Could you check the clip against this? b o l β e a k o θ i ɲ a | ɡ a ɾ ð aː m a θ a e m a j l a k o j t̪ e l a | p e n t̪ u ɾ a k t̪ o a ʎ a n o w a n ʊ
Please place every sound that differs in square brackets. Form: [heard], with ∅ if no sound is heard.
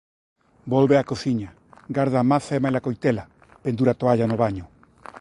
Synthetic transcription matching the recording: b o l β e a k o θ i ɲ a | ɡ a ɾ ð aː m a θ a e m a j l a k o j t̪ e l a | p e n [d̪] u ɾ a [∅] t̪ o a ʎ a n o [β] a [ɲ] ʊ